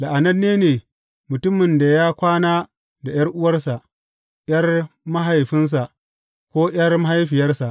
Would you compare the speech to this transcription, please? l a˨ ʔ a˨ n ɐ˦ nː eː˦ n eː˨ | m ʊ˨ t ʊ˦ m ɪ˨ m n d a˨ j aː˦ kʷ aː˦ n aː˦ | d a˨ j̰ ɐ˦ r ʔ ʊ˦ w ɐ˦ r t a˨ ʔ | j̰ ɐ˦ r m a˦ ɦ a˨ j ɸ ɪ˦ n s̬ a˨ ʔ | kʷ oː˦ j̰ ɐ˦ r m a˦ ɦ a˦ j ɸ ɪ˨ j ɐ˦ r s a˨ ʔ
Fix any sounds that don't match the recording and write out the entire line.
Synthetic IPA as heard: l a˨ ʔ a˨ n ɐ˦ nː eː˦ n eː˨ | m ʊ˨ t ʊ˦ m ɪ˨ n d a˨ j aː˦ kʷ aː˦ n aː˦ | d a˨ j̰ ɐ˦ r ʔ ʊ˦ w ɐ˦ r s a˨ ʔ | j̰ ɐ˦ r m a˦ ɦ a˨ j ɸ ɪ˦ n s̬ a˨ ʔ | kʷ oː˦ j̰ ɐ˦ r m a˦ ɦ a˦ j ɸ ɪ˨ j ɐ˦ r s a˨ ʔ